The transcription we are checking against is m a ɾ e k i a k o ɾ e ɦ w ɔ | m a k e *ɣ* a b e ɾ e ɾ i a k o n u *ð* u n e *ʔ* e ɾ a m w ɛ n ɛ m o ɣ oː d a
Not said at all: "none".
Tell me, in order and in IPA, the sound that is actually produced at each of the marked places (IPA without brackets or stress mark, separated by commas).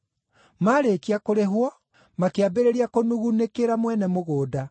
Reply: none, ɣ, k